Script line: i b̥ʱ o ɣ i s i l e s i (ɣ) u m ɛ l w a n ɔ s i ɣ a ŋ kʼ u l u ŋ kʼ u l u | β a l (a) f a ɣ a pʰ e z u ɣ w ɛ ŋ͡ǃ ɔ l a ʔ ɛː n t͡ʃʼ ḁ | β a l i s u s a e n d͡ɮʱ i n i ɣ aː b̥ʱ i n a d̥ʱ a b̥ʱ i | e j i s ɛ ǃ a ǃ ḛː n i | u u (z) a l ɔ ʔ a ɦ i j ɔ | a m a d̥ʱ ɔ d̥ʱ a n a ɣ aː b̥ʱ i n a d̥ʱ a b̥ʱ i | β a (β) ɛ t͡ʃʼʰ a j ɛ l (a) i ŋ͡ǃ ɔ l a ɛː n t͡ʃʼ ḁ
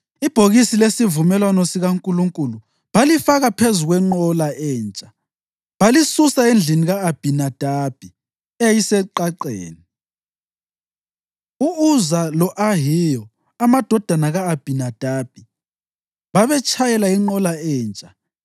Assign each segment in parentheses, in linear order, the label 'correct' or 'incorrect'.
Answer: incorrect, incorrect, correct, correct, correct

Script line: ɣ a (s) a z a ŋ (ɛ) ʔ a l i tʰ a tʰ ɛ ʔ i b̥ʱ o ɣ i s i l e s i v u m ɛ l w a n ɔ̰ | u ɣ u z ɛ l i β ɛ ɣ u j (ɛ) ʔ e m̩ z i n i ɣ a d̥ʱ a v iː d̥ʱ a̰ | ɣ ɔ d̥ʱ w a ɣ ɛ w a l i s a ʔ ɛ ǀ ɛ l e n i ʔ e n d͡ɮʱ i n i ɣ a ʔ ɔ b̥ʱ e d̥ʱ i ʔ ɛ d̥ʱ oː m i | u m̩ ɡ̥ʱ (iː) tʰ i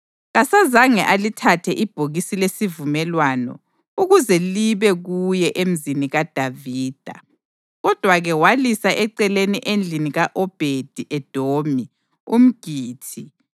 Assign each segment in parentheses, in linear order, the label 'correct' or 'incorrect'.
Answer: correct, correct, correct, correct

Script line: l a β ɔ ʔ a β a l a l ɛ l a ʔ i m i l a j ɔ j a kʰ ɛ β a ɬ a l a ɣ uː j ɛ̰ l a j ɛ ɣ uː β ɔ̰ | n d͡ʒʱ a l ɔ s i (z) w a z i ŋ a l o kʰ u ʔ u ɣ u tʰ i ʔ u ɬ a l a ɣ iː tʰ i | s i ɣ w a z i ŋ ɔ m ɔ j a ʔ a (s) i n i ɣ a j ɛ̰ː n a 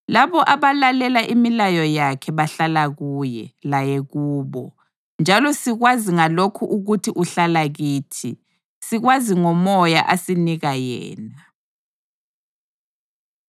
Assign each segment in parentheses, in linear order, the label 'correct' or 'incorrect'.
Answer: incorrect, correct

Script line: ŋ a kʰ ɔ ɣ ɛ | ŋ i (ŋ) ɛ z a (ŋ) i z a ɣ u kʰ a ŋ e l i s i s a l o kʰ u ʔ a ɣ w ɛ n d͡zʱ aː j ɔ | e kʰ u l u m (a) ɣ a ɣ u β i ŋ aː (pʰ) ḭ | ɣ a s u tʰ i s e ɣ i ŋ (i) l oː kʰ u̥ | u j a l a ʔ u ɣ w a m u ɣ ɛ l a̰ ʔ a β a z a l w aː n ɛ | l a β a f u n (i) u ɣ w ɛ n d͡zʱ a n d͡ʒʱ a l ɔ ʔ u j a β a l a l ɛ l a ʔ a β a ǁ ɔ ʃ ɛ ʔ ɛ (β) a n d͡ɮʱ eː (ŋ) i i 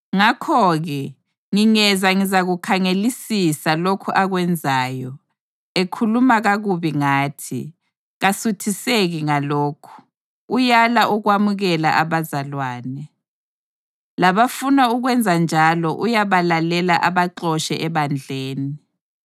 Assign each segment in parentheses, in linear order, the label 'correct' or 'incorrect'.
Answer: correct, correct, correct, incorrect, incorrect, incorrect, correct, incorrect

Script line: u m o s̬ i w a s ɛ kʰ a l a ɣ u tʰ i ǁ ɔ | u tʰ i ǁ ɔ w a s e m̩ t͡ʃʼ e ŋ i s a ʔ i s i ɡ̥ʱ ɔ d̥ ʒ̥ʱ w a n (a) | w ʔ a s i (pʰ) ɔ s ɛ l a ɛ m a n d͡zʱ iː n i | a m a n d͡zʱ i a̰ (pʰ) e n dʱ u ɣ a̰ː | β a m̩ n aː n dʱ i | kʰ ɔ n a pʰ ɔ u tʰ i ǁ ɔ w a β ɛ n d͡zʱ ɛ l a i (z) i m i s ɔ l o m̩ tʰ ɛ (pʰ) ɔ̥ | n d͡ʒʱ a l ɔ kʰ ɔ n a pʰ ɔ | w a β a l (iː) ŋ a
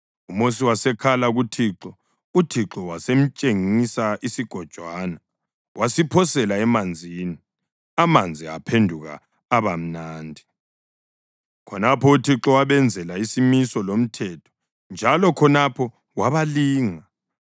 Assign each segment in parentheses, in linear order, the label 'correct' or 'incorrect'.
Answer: correct, correct, correct, incorrect, incorrect, correct

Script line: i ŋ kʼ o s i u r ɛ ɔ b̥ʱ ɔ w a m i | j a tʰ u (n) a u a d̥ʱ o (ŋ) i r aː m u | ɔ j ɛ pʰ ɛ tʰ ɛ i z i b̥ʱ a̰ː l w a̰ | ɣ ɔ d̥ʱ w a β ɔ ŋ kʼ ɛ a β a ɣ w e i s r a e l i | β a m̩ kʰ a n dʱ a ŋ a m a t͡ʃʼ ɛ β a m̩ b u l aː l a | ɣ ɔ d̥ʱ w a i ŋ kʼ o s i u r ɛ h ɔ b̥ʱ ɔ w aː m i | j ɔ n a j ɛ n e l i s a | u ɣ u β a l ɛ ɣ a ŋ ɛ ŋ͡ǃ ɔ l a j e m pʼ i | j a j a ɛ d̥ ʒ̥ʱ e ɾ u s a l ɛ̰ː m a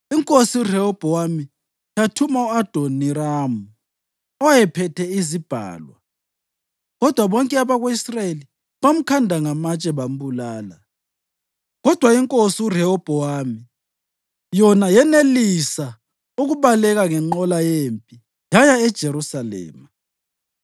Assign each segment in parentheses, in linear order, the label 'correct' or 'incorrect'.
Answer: incorrect, incorrect

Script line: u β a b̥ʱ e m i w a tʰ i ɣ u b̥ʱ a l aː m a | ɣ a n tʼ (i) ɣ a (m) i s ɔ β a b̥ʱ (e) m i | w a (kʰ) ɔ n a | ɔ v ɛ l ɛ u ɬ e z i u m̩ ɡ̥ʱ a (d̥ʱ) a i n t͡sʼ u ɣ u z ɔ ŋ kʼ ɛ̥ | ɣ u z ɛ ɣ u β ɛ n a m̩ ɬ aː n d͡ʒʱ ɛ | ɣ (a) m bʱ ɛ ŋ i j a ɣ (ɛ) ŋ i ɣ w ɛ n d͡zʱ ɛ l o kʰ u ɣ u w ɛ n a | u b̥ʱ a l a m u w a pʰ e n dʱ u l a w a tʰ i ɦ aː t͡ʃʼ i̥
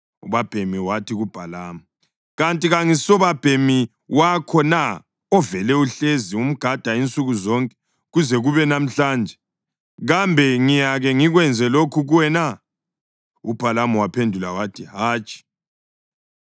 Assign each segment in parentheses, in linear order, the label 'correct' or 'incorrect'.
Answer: correct, incorrect, correct, correct, correct, correct, correct

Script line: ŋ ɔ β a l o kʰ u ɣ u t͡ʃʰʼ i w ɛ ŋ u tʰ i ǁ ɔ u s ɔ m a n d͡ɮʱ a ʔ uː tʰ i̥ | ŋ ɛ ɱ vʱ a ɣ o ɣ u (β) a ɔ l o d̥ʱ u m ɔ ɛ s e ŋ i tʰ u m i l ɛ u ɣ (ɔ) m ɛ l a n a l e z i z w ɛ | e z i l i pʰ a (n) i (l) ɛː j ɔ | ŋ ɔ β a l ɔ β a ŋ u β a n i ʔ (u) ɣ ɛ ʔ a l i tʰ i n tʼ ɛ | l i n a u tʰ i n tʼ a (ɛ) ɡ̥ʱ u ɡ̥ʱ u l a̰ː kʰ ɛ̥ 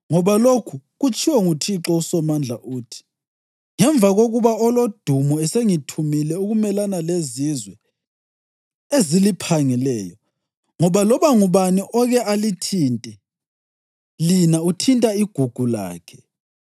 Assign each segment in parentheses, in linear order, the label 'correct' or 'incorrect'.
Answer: correct, incorrect, incorrect, correct, incorrect, incorrect

